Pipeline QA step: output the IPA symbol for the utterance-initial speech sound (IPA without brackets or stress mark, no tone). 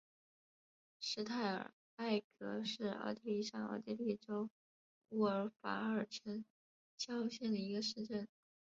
ʂ